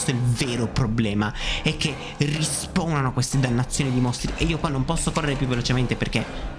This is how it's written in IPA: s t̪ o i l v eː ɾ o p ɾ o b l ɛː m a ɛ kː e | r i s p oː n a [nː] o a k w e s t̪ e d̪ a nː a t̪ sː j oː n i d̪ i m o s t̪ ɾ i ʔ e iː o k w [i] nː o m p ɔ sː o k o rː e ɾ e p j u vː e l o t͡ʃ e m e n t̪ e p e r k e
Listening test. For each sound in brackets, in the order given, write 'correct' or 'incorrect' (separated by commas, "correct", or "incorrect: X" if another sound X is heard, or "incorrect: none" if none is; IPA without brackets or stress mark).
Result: incorrect: n, incorrect: a